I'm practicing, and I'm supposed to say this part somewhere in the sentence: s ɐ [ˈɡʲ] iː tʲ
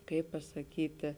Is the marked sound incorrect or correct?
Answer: incorrect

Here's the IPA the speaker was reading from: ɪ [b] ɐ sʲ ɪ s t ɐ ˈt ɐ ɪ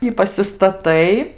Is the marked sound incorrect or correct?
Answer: incorrect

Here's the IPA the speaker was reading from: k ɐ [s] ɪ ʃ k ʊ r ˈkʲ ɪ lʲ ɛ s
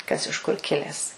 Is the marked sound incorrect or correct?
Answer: correct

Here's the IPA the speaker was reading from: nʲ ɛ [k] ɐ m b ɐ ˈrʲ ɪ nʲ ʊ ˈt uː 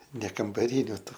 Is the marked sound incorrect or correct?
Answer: correct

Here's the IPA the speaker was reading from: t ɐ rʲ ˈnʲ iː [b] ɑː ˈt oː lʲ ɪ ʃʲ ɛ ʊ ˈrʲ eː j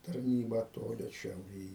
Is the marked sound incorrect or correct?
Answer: correct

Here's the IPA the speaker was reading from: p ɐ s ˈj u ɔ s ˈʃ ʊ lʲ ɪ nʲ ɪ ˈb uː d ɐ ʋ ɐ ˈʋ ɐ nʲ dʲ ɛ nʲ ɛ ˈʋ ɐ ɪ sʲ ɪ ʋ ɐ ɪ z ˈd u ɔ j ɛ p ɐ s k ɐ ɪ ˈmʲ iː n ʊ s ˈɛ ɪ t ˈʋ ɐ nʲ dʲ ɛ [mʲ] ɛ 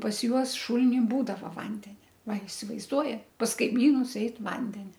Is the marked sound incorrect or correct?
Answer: incorrect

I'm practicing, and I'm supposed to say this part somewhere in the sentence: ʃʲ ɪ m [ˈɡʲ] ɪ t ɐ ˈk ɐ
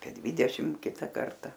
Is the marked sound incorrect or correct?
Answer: incorrect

